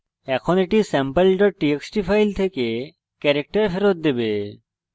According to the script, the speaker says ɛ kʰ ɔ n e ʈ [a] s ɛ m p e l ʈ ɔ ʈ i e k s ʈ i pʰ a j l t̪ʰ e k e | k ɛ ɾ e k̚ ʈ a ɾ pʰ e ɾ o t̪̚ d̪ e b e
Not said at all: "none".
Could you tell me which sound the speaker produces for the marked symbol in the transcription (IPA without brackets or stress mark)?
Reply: i